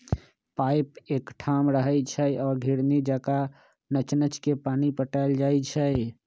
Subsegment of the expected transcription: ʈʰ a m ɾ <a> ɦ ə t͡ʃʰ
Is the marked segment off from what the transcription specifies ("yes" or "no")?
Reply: yes